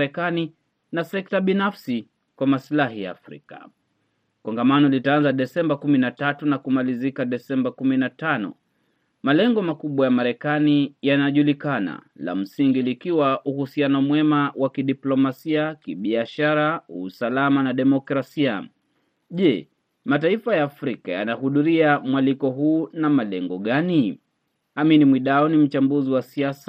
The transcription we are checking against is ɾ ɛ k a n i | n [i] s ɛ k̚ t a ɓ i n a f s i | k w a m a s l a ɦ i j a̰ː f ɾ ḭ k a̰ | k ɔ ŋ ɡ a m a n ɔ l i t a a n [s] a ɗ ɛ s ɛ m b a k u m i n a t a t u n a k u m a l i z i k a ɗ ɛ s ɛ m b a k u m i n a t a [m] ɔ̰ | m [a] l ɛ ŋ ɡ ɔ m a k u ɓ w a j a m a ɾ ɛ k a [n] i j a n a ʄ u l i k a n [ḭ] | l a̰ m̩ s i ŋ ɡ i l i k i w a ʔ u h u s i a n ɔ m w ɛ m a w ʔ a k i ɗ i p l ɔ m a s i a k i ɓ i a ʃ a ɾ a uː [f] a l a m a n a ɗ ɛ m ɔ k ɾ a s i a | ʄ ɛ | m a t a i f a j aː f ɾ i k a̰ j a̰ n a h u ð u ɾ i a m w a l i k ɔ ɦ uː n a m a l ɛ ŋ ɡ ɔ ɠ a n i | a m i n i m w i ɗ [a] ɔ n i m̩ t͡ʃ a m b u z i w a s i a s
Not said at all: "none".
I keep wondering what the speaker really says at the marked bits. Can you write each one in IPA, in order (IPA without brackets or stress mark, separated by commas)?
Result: a, z, n, a, n, a̰, s, a